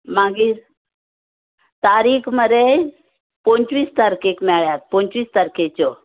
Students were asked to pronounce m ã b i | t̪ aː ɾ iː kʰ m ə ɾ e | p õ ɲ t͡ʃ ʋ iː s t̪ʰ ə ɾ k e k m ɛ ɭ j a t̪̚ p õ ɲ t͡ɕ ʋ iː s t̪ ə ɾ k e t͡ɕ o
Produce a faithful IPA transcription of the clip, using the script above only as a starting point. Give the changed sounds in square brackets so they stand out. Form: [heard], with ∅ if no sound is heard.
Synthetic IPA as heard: m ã [ɡ] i | t̪ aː ɾ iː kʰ m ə ɾ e | p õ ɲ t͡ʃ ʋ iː s [t̪] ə ɾ k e k m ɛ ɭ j a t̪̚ p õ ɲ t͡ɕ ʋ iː s t̪ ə ɾ k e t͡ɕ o